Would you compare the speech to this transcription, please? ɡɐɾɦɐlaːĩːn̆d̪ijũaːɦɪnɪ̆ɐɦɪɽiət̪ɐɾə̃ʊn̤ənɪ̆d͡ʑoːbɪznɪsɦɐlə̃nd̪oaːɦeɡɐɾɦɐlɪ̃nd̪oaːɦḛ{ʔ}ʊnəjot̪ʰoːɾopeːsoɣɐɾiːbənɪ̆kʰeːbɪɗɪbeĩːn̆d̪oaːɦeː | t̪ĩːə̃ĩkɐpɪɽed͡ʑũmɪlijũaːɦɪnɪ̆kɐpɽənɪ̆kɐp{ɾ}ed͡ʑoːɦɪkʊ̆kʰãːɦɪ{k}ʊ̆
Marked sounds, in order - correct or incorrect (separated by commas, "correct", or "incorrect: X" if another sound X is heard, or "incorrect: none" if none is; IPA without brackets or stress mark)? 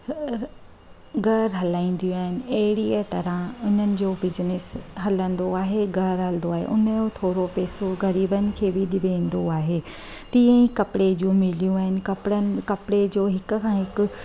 correct, incorrect: ɽ, correct